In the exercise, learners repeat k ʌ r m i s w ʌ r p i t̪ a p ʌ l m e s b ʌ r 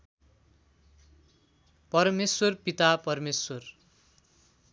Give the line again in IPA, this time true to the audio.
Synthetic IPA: p ʌ r m e s w ʌ r p i t̪ a p ʌ r m e s w ʌ r